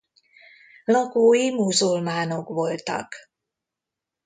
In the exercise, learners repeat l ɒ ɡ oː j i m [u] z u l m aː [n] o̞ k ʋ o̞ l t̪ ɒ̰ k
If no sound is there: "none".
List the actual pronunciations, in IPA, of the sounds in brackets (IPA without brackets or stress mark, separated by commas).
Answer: u, n